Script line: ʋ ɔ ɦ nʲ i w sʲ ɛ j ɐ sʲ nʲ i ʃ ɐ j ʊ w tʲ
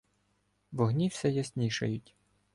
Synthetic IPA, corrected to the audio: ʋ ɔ ɦ nʲ i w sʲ ɛ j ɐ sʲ nʲ i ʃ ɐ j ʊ tʲ